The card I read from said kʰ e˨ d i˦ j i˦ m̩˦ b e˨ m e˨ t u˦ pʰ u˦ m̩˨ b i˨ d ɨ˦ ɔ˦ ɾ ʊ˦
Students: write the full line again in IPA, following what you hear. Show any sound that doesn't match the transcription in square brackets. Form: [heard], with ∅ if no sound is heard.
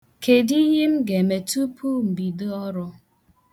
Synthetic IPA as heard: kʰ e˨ d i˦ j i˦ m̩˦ [ɡ] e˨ m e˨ t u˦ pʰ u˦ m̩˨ b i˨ d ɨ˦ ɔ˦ ɾ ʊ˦

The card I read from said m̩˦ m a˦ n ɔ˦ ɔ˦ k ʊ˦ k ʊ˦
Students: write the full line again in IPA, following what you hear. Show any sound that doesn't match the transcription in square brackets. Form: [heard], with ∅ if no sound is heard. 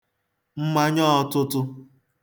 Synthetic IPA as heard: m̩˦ m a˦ [ɲ] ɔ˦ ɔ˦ [t] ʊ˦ [t] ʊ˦

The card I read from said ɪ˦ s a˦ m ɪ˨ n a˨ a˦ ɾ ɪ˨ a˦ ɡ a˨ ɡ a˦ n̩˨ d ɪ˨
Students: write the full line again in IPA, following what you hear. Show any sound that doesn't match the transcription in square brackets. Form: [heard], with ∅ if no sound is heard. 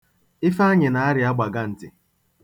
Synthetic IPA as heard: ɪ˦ [f] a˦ [ɲ] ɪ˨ n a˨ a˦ ɾ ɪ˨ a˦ [ɡ͡b] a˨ ɡ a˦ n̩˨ [t] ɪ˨

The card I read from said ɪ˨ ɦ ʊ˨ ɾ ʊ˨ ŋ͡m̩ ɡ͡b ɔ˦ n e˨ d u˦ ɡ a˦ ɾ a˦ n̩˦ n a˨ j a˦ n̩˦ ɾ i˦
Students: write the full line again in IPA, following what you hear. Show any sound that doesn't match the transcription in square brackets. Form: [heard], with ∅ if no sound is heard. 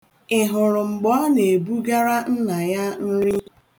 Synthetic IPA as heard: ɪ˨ ɦ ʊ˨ ɾ ʊ˨ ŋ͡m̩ ɡ͡b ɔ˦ n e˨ [b] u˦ ɡ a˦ ɾ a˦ n̩˦ n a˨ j a˦ n̩˦ ɾ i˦

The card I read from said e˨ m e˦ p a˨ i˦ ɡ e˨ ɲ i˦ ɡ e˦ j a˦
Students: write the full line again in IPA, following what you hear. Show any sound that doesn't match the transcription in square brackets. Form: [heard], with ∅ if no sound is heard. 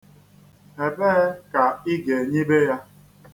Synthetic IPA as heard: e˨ [b] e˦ [k] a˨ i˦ ɡ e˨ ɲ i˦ [b] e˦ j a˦

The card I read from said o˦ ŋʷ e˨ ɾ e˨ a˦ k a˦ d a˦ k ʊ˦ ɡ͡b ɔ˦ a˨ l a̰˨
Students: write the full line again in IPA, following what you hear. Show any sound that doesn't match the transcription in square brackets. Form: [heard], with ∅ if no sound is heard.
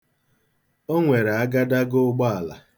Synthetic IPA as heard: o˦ ŋʷ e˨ ɾ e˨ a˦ [ɡ] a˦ d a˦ [ɡ] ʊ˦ ɡ͡b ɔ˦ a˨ l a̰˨

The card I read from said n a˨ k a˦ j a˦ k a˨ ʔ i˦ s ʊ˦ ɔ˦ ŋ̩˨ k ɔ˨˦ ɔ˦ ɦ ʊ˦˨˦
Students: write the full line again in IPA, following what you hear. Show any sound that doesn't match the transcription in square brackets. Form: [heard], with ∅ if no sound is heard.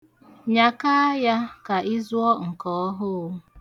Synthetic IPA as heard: [ɲ] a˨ k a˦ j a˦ k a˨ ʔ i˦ [z] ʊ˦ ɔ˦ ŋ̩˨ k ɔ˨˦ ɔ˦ ɦ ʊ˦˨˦

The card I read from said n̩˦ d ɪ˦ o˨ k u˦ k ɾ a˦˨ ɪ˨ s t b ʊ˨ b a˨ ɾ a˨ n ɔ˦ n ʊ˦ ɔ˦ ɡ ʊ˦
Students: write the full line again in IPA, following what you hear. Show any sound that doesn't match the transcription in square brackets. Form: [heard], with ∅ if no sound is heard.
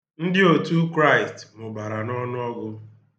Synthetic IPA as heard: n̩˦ d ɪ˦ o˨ [t] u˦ k ɾ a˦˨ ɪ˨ s t [m] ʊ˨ b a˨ ɾ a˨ n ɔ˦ n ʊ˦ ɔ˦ ɡ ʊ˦

